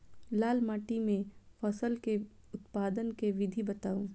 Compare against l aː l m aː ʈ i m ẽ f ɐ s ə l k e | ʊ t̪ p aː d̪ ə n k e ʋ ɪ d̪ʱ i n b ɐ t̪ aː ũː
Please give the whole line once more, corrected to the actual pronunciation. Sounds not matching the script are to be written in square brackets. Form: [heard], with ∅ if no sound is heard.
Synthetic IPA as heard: l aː l m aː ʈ i m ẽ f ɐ s ə l k e | ʊ t̪ p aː d̪ ə n k e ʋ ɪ d̪ʱ i [∅] b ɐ t̪ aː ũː